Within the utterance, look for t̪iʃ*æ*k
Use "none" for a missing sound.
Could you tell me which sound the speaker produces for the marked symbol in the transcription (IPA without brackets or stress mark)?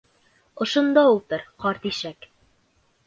æ